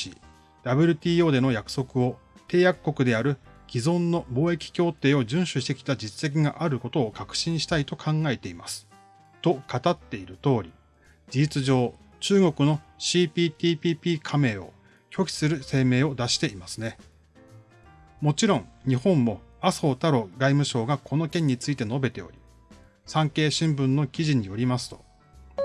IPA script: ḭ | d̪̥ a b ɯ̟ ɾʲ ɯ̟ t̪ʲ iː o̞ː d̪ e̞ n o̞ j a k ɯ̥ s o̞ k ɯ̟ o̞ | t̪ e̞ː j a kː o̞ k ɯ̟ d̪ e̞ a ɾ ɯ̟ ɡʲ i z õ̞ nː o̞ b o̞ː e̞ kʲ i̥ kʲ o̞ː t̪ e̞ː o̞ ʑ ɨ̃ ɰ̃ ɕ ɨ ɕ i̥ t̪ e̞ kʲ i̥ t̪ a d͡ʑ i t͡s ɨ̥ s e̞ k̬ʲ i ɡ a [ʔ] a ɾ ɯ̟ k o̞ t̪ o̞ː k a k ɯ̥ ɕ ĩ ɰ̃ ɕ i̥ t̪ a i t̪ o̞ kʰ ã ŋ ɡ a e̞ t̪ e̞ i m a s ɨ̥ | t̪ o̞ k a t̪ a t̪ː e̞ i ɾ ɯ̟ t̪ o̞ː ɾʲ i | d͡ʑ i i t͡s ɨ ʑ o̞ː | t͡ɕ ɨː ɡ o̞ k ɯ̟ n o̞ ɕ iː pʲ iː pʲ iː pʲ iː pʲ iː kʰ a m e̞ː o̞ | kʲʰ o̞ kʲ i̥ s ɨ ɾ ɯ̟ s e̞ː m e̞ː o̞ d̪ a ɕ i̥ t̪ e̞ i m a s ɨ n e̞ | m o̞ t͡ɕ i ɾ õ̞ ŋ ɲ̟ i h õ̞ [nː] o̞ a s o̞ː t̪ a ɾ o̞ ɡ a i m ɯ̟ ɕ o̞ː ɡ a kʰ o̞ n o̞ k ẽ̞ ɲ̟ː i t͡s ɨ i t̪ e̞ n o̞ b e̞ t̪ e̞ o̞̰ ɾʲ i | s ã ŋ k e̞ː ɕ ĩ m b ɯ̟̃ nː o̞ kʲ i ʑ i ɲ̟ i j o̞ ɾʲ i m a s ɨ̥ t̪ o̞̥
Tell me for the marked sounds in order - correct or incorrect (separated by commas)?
correct, incorrect